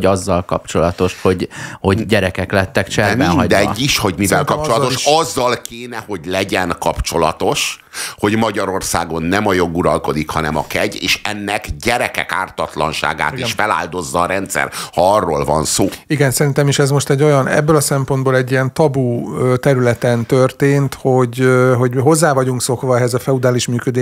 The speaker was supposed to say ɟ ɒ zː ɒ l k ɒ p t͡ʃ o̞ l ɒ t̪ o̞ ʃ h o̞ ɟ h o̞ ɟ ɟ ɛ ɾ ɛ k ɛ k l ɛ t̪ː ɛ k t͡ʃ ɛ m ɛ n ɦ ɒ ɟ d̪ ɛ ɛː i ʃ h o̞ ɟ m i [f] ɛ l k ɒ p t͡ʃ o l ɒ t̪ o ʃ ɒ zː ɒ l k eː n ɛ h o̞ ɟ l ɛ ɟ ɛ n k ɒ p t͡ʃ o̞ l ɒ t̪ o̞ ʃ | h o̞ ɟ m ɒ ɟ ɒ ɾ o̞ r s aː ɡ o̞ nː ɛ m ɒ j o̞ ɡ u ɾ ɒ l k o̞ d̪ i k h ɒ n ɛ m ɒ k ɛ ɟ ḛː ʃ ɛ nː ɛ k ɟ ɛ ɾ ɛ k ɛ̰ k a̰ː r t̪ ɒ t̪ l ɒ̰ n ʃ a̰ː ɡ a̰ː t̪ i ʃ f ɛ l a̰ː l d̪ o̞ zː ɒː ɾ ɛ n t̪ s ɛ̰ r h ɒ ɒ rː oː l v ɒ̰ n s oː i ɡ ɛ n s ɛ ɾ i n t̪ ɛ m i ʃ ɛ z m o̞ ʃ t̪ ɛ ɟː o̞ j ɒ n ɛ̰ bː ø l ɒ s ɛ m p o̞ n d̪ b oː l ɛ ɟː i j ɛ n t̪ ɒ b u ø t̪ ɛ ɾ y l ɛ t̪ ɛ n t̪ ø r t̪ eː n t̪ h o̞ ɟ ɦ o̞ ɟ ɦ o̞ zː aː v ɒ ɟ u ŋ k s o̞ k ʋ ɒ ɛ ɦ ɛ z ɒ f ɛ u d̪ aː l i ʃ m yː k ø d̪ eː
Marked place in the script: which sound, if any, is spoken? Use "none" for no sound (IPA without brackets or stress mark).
v